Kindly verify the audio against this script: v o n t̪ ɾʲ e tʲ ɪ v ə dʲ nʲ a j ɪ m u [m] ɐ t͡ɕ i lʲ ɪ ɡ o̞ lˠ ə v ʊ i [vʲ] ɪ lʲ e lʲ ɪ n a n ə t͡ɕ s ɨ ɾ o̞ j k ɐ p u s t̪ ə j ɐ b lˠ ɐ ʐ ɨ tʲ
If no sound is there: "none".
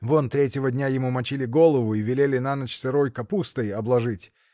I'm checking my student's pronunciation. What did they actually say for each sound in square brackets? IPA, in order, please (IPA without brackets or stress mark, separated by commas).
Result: m, vʲ